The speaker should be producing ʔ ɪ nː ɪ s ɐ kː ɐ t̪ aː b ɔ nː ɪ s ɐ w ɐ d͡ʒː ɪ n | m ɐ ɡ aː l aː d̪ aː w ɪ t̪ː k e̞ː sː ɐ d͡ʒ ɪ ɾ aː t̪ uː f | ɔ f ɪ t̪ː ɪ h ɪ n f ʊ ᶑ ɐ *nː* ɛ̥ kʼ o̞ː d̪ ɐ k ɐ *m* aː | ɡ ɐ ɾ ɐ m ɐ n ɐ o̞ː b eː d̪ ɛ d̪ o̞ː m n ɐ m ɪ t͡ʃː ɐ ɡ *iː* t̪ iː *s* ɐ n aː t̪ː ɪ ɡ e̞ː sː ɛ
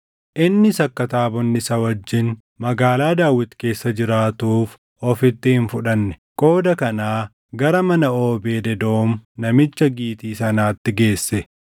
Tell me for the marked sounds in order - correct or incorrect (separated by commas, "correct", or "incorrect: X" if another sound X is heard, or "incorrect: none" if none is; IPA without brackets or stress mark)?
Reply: correct, incorrect: n, correct, correct